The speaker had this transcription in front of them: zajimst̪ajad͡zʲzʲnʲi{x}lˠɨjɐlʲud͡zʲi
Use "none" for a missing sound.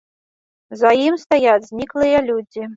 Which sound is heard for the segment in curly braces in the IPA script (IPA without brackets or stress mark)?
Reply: k